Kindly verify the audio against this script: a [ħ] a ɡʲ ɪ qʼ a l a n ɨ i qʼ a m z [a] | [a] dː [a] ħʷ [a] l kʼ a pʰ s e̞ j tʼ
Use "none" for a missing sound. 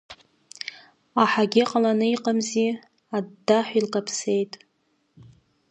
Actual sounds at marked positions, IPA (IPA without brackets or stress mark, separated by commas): ħ, i, a, a, i